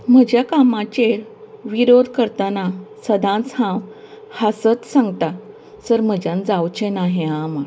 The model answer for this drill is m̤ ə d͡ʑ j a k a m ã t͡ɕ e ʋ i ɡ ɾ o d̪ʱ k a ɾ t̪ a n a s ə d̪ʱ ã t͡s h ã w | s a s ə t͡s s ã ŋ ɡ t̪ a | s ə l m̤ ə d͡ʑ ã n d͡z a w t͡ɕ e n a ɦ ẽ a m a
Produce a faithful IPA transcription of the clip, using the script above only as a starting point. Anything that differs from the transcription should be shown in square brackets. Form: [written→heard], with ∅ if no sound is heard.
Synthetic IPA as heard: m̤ ə d͡ʑ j a k a m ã t͡ɕ e ʋ i [ɡ→∅] ɾ o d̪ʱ k [a→ə] ɾ t̪ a n a s ə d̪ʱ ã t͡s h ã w | [s→h] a s ə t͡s s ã ŋ ɡ t̪ a | s ə [l→ɾ] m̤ ə d͡ʑ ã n d͡z a w t͡ɕ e n a ɦ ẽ a m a